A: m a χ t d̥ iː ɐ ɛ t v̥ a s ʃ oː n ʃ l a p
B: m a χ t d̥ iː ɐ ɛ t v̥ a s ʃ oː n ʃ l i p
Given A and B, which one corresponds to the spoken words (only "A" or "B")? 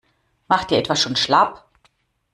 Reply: A